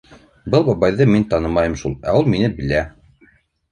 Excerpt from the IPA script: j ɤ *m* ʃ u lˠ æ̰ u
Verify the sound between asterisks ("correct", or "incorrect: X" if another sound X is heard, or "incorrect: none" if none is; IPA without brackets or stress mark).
correct